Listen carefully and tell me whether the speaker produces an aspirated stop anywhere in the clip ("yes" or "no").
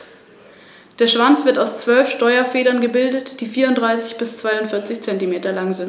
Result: no